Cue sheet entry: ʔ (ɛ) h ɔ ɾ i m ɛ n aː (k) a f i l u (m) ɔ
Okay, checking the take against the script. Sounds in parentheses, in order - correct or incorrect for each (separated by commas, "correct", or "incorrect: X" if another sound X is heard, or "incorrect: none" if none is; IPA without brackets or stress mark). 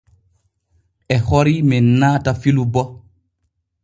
correct, incorrect: t, incorrect: b